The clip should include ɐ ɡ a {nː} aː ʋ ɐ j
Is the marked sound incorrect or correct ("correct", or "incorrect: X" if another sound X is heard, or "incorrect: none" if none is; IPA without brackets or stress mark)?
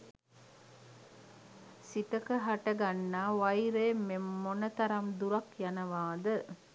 correct